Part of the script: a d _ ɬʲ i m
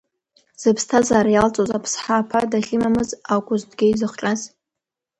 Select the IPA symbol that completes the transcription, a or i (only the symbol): a